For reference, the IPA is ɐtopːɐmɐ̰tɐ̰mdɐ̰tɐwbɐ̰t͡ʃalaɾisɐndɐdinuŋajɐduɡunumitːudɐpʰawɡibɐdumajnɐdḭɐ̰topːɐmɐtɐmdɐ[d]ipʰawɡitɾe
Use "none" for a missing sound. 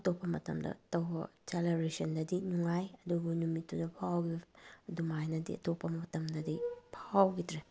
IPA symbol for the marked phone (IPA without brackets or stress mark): d